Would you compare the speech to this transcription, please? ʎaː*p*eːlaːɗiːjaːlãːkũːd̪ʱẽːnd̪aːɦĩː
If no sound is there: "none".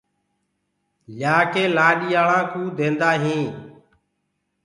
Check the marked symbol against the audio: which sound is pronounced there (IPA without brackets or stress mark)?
k